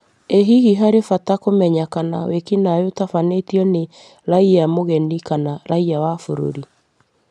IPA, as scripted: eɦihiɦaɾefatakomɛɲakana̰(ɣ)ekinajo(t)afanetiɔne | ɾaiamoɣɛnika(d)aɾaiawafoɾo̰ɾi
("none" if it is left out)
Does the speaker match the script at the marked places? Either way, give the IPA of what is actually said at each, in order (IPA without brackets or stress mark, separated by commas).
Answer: w, t, n